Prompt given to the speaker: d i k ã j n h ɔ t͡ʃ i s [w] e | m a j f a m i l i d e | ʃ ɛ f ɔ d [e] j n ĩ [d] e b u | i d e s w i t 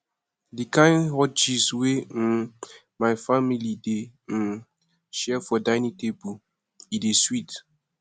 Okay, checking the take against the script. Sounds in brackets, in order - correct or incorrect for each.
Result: correct, incorrect, incorrect

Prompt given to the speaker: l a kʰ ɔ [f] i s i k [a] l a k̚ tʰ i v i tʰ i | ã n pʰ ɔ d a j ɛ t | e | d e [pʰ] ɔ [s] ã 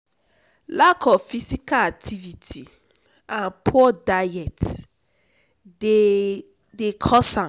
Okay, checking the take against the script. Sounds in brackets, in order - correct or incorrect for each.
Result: correct, correct, incorrect, correct

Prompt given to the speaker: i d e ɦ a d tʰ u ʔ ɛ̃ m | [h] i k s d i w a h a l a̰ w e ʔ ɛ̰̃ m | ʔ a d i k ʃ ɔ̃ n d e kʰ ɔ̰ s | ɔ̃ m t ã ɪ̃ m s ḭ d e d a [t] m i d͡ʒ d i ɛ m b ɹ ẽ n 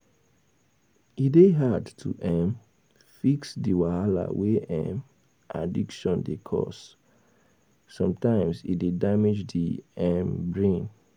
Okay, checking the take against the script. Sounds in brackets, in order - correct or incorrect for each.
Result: incorrect, incorrect

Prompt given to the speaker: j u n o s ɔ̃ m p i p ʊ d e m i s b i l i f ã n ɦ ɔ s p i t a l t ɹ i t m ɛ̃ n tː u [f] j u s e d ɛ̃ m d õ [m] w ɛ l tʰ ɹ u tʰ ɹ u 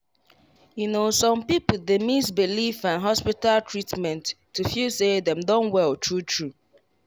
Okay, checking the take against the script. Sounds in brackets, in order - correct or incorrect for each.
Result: correct, incorrect

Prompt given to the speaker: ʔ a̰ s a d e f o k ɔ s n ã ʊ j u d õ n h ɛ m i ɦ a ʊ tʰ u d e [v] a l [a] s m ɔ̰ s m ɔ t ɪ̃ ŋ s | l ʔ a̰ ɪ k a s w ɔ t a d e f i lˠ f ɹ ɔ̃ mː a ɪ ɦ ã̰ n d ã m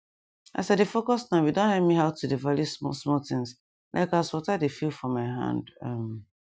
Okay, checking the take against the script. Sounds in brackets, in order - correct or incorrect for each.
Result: correct, incorrect

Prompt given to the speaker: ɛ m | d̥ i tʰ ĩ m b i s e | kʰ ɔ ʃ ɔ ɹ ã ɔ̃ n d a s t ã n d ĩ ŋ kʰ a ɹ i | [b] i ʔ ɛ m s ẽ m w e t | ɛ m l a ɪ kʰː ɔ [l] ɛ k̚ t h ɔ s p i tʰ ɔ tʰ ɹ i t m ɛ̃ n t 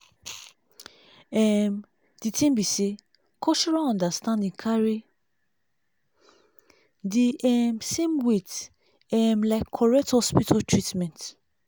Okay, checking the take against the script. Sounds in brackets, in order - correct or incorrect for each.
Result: incorrect, incorrect

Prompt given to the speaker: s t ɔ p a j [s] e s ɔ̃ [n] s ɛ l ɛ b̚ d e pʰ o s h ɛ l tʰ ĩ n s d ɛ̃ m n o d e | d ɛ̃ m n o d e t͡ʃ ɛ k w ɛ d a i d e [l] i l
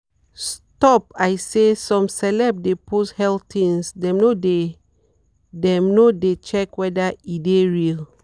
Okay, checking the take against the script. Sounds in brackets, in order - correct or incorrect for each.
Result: correct, incorrect, incorrect

